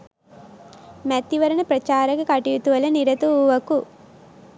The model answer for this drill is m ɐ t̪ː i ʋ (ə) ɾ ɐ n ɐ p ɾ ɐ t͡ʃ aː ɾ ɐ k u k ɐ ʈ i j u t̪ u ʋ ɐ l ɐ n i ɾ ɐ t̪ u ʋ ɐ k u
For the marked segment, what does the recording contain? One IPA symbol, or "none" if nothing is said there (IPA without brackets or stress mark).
ɐ